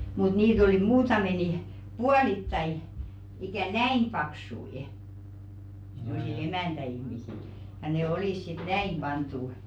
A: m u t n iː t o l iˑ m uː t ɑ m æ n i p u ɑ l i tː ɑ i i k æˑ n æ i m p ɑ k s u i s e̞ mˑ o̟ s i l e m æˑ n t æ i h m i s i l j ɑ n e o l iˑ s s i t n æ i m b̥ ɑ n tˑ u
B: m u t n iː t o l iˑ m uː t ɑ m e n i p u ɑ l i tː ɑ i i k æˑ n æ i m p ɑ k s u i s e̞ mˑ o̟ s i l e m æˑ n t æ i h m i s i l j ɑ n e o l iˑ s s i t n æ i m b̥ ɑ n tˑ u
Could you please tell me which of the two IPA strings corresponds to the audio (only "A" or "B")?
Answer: B